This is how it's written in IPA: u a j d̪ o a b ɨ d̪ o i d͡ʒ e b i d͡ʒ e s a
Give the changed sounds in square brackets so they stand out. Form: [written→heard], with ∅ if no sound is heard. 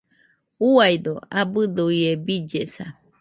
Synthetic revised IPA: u a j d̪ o a b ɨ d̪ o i [d͡ʒ→∅] e b i d͡ʒ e s a